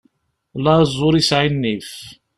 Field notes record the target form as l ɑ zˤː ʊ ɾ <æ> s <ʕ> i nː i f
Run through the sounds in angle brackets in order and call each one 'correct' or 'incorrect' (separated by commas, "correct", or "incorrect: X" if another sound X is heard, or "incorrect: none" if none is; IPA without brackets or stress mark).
incorrect: i, correct